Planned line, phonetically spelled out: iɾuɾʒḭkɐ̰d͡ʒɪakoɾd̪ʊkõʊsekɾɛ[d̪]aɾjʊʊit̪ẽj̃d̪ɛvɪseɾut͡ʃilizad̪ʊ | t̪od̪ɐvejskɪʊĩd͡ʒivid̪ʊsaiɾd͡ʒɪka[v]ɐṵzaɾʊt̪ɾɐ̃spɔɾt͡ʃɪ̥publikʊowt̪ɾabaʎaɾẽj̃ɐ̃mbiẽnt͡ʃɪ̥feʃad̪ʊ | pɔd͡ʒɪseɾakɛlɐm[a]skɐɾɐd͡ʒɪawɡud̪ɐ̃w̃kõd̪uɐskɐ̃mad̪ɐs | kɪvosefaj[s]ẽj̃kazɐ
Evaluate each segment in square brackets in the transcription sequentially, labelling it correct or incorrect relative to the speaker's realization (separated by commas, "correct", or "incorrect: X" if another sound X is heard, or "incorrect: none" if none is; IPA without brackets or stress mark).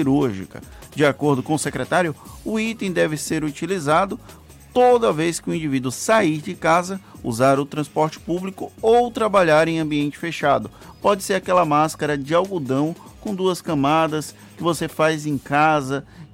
incorrect: t̪, incorrect: z, correct, incorrect: z